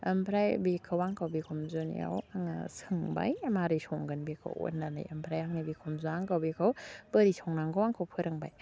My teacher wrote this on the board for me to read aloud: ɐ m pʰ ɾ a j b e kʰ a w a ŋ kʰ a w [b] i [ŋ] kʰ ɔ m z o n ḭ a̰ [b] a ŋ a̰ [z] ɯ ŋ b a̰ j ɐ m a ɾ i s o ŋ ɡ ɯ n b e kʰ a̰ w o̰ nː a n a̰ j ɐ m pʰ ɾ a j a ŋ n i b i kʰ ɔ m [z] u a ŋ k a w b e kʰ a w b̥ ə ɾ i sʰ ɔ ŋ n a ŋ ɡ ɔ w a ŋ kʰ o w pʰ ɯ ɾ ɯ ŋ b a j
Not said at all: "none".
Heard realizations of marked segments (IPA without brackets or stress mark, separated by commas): b, none, w, s, z